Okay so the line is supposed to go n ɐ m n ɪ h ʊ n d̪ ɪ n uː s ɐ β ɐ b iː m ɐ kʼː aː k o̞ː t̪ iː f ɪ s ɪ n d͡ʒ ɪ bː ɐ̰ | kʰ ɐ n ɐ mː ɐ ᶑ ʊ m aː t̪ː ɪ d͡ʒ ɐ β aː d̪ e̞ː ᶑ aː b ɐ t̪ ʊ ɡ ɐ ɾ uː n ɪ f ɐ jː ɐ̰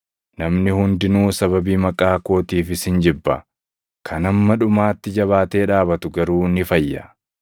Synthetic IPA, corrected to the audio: n ɐ m n ɪ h ʊ n d̪ ɪ n uː s ɐ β ɐ b iː m ɐ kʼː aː k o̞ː t̪ iː f ɪ s ɪ n d͡ʒ ɪ bː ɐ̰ | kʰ ɐ n ɐ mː ɐ ᶑ ʊ m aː t̪ː ɪ d͡ʒ ɐ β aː t̪ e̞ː ᶑ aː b ɐ t̪ ʊ ɡ ɐ ɾ uː n ɪ f ɐ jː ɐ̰